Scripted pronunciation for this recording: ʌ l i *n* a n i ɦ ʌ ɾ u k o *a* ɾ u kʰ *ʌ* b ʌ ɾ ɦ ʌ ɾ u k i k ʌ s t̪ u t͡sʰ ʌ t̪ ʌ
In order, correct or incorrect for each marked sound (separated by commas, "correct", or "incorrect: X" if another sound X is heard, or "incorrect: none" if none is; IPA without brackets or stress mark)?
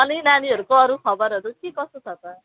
correct, incorrect: ʌ, correct